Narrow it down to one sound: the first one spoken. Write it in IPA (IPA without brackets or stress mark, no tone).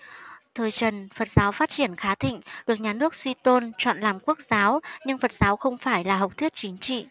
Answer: t̪ʰ